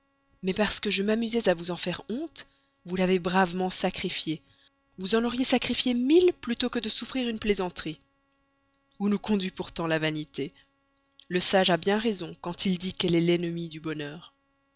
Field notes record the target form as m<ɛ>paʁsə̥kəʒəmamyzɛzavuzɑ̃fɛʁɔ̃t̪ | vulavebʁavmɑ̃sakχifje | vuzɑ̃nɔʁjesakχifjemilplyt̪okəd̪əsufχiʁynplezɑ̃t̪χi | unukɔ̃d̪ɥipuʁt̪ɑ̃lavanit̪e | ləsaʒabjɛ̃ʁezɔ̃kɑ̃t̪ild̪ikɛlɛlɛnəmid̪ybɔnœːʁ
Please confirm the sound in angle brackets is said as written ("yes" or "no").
yes